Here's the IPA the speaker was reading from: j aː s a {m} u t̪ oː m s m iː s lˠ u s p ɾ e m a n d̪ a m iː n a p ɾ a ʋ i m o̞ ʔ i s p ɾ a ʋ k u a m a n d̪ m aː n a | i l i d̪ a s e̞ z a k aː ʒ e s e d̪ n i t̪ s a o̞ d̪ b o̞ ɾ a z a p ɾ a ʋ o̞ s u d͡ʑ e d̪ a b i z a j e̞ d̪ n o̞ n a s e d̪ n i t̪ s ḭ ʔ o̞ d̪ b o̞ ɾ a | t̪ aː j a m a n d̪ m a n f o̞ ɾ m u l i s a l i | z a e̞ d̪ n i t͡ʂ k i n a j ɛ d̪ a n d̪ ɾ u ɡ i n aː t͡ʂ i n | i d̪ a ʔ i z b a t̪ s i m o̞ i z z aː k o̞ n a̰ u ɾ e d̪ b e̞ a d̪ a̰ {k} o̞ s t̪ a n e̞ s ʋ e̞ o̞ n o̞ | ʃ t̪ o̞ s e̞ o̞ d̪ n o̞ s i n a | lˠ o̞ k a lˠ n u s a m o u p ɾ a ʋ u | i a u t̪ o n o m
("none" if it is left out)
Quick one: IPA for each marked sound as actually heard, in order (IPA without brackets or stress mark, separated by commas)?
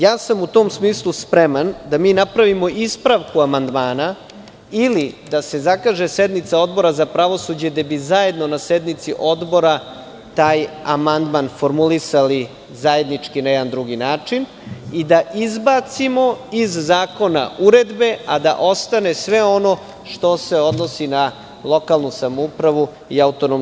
m, ʔ